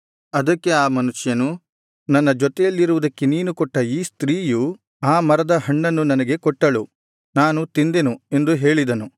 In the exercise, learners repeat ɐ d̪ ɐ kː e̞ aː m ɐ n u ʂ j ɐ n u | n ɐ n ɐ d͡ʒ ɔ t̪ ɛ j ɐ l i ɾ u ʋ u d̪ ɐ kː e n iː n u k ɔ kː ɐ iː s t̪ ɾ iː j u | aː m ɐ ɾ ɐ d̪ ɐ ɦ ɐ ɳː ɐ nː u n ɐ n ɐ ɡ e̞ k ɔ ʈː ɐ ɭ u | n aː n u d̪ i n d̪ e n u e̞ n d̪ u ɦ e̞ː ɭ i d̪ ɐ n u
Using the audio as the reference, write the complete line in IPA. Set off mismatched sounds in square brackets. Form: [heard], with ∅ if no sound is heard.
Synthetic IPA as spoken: ɐ d̪ ɐ kː e̞ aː m ɐ n u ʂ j ɐ n u | n ɐ [nː] ɐ d͡ʒ ɔ t̪ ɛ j ɐ [lː] i ɾ u ʋ u d̪ ɐ kː e n iː n u k ɔ [ʈː] ɐ iː s t̪ ɾ iː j u | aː m ɐ ɾ ɐ d̪ ɐ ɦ ɐ ɳː ɐ nː u n ɐ n ɐ ɡ e̞ k ɔ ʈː ɐ ɭ u | n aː n u [t̪] i n d̪ e n u e̞ n d̪ u ɦ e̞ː ɭ i d̪ ɐ n u